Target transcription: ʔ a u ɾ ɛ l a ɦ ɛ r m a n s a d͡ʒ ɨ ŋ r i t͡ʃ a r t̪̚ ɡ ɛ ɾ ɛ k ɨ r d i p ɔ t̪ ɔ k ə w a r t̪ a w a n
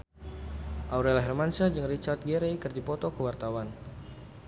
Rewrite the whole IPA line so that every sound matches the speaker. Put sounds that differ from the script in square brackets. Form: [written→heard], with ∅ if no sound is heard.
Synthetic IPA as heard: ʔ a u ɾ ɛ l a ɦ ɛ r m a n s a d͡ʒ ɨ ŋ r i t͡ʃ a r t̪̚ ɡ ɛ ɾ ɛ k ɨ r d i p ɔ t̪ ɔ k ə w a r t̪ a w a n